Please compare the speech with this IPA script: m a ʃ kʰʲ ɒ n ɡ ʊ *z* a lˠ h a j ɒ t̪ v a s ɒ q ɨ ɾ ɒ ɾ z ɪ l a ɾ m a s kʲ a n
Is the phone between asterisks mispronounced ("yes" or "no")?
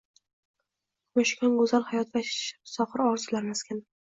no